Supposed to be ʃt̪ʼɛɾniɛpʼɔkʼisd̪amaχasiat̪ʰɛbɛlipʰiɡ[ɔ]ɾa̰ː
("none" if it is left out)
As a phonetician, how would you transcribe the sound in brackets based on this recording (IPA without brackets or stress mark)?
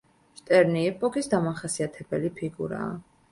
u